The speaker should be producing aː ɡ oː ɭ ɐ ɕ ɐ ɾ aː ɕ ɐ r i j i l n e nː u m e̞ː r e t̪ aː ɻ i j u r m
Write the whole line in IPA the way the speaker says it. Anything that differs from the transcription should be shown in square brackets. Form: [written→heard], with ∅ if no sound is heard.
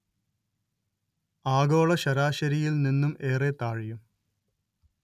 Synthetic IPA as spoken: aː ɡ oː ɭ ɐ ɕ ɐ ɾ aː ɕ ɐ [r→ɾ] i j i l n [e→i] nː u m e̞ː r e t̪ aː ɻ i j u [r→∅] m